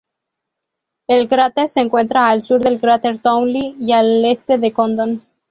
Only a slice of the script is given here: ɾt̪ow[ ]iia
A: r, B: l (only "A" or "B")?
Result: B